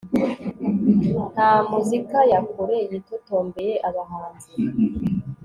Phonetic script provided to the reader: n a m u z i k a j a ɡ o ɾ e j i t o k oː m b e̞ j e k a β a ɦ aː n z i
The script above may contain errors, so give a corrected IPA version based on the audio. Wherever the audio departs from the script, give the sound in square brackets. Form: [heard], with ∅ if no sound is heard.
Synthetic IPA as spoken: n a m u z i k a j a [k] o ɾ e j i t o [t] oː m b e̞ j e [ʔ] a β a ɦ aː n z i